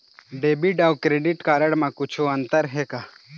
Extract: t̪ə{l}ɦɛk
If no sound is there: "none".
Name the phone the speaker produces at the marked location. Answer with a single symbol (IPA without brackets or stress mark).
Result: ɾ